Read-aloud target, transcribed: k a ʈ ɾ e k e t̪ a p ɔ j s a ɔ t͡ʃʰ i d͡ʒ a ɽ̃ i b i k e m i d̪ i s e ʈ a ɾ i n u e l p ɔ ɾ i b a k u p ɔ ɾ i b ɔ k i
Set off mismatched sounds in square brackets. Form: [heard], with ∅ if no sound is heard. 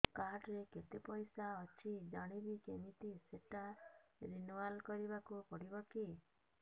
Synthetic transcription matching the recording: k a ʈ ɾ e k e t̪ [e] p ɔ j s a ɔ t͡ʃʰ i d͡ʒ a ɽ̃ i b i k e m i [t̪] i s e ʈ a ɾ i n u [a] l [k] ɔ ɾ i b a k u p ɔ [ɽ] i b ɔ k i